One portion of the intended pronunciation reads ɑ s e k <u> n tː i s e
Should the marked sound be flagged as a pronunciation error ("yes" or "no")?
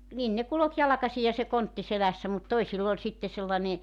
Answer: yes